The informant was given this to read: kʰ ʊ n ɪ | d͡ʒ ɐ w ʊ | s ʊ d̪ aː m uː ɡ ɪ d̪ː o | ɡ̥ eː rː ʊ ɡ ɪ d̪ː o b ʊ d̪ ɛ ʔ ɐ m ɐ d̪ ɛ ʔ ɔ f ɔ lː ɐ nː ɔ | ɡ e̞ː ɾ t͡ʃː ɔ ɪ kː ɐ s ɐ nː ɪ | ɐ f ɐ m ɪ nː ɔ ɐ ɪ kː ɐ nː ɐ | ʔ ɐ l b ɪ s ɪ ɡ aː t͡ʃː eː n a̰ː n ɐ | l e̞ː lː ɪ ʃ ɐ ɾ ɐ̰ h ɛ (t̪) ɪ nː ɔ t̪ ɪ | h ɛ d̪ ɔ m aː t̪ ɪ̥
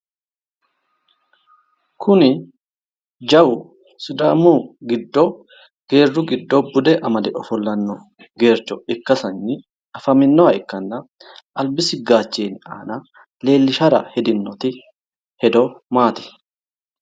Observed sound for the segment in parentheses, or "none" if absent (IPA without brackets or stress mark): d̪